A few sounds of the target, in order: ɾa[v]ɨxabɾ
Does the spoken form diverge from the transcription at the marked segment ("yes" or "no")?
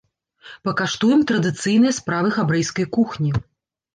no